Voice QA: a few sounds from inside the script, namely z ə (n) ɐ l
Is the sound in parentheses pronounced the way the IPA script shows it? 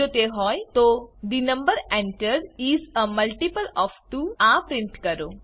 no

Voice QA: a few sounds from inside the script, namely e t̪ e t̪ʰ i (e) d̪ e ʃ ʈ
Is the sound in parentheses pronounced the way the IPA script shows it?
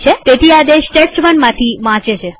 no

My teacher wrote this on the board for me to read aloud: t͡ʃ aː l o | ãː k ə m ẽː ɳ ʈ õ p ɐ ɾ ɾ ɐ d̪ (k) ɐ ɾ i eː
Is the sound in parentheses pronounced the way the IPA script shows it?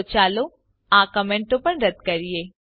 yes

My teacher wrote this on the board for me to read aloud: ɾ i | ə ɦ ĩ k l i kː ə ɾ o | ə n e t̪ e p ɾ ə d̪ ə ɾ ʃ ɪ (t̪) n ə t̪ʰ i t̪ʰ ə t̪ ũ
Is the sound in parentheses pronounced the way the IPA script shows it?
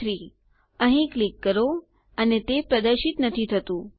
yes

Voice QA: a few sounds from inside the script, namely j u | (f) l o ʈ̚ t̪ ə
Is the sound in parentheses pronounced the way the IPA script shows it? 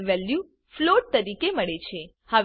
yes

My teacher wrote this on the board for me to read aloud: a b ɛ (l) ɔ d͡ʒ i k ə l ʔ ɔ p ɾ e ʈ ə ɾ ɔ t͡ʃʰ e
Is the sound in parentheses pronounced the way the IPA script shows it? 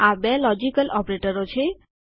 yes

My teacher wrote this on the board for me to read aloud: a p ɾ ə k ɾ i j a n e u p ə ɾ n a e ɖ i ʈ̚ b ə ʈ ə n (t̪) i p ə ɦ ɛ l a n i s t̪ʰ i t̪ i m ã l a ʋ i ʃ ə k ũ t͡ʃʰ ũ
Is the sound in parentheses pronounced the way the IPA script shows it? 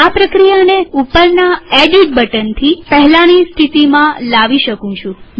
no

